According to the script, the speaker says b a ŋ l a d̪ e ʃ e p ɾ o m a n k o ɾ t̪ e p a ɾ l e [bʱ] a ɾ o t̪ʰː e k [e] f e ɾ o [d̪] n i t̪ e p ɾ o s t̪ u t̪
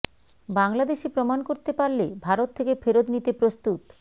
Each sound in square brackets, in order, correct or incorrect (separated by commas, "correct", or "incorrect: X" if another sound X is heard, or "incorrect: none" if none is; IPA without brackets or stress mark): correct, correct, correct